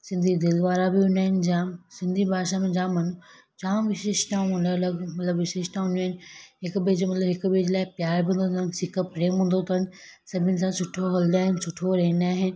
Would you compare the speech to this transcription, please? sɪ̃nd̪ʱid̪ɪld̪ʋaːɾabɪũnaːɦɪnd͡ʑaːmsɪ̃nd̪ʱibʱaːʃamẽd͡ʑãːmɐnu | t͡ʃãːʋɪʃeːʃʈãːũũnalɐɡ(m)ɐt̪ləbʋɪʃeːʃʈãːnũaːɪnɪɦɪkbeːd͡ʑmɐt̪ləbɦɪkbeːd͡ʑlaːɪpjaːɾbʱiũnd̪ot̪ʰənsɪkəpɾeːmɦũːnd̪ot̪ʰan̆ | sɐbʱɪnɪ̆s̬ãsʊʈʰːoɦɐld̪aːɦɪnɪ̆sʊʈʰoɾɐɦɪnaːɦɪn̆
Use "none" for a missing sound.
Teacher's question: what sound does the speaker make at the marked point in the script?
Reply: m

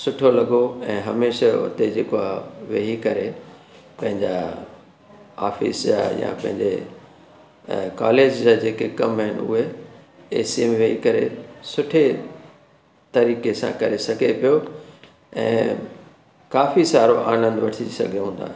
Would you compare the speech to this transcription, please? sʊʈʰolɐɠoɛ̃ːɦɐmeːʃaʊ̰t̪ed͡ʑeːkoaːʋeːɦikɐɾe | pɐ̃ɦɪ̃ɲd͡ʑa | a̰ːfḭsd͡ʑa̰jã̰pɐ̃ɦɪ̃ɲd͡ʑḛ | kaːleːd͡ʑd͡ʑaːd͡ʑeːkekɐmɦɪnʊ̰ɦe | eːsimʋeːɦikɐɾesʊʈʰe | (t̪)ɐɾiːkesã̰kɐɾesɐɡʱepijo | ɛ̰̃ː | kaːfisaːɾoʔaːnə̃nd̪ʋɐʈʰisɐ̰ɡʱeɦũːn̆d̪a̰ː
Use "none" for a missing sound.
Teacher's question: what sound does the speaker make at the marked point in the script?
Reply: t̪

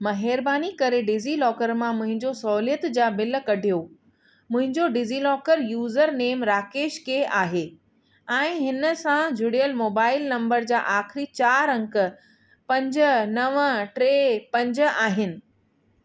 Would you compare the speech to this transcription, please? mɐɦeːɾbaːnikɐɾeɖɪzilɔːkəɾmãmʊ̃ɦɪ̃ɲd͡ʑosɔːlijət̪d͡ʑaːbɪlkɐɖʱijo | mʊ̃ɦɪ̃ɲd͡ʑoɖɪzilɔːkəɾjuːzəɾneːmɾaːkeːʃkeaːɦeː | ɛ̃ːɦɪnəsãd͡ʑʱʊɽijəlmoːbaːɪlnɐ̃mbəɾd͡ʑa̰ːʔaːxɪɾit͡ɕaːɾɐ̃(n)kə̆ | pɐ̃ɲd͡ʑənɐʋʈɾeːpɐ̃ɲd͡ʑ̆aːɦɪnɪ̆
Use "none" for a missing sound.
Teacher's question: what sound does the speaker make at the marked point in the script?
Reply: ŋ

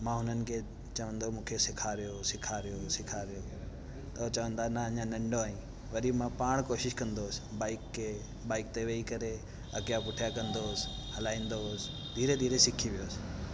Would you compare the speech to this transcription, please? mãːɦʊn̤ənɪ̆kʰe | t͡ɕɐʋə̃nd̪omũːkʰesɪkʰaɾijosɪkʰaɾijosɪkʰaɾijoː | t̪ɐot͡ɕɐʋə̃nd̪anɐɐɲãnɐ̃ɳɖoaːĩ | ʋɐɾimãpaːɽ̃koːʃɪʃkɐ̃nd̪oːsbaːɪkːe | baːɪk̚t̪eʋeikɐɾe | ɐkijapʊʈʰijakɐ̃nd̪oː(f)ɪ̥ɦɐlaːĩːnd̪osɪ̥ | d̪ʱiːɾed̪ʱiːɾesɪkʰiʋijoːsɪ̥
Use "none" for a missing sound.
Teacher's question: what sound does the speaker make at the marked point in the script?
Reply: s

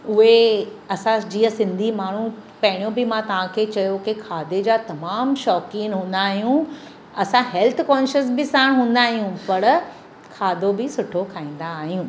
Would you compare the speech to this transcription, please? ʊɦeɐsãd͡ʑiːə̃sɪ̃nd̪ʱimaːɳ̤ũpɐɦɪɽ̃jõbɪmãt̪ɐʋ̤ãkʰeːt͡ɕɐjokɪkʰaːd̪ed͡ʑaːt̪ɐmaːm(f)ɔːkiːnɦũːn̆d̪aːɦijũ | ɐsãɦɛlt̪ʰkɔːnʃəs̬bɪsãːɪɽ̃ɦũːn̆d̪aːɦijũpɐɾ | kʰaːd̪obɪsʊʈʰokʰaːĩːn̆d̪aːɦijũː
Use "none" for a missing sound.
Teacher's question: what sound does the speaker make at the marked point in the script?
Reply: ʃ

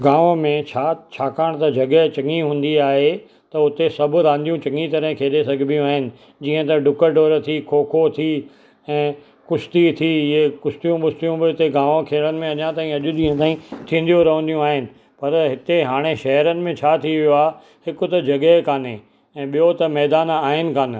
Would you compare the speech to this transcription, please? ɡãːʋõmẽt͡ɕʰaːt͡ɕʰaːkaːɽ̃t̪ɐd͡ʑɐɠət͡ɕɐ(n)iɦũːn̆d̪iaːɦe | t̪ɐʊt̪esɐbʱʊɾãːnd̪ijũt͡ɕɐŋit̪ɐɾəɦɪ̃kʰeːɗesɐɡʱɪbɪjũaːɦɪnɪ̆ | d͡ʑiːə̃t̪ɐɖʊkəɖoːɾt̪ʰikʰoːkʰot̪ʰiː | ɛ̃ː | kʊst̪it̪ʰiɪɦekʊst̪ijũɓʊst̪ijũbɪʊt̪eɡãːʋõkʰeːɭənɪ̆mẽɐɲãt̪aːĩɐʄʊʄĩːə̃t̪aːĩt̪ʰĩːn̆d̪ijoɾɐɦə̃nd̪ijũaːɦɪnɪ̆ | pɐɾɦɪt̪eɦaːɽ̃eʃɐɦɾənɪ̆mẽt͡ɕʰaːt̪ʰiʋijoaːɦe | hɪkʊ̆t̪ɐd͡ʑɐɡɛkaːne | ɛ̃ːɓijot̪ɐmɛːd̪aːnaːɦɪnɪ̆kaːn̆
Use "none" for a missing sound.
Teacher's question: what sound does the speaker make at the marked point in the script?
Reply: ŋ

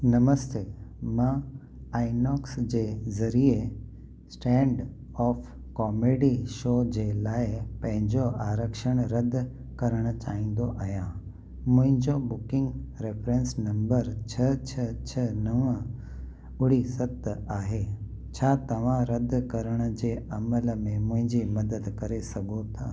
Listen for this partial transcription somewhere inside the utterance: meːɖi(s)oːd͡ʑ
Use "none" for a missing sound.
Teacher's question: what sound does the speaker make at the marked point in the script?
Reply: ʃ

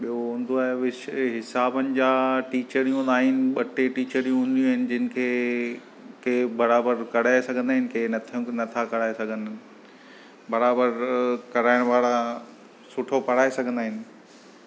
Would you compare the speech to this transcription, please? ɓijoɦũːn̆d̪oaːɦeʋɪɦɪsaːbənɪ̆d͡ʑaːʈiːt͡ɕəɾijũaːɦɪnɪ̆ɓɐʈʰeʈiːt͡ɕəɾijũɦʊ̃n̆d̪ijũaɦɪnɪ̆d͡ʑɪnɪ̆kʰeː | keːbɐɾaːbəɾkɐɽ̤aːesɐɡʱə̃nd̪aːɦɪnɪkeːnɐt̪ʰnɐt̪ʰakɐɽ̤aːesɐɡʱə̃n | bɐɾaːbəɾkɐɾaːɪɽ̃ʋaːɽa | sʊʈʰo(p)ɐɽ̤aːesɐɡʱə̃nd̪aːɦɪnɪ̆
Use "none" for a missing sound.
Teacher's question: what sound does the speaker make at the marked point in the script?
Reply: p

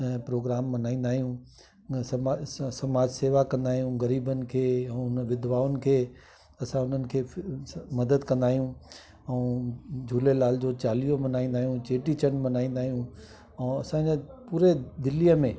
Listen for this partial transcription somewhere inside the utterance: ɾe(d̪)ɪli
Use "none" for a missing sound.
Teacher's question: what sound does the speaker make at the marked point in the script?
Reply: d̪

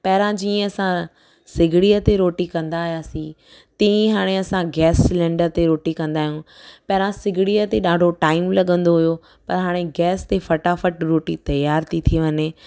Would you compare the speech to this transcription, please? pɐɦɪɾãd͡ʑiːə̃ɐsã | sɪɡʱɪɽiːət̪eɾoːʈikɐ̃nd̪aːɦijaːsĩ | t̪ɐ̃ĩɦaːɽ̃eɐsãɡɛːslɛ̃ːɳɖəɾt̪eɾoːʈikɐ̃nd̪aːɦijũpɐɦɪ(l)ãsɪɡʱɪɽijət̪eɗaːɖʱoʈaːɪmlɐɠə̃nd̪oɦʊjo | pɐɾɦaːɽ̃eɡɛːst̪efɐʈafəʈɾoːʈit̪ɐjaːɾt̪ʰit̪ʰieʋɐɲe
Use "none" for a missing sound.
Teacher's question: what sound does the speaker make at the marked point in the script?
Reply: ɾ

